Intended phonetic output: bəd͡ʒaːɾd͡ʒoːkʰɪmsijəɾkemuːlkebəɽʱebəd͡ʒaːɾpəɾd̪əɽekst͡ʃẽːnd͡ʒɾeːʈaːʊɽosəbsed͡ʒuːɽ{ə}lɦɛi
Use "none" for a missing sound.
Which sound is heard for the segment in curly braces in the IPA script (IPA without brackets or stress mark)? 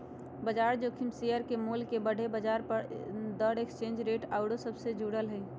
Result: ə